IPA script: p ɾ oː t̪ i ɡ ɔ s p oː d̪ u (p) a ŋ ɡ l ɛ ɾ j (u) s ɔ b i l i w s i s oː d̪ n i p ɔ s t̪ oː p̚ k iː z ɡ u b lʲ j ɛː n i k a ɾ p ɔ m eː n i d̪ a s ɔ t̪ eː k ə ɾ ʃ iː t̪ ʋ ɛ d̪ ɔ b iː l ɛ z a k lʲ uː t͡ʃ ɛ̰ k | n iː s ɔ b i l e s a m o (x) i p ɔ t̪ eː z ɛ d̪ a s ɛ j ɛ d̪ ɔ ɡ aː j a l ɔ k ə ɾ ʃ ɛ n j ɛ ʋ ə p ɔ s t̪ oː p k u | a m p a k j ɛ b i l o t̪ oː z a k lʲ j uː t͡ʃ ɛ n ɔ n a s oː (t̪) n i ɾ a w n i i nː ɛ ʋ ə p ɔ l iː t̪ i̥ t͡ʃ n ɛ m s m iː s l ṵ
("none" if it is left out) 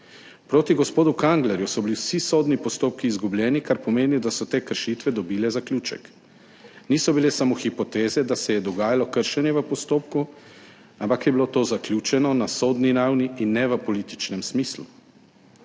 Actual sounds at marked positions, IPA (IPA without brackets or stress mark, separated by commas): k, u, x, d̪